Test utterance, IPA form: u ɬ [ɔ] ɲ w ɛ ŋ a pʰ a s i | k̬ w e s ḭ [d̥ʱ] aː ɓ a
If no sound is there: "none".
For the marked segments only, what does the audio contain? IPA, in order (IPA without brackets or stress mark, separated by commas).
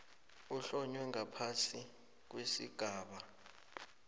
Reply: ɔ, ɡ̥ʱ